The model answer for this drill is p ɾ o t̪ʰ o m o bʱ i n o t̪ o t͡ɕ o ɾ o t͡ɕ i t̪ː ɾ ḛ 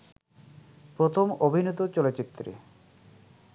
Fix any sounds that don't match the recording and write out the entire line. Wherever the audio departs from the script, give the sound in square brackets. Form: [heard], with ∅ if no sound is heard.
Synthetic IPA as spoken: p ɾ o t̪ʰ o m o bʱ i n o t̪ o t͡ɕ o [l] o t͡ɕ i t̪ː ɾ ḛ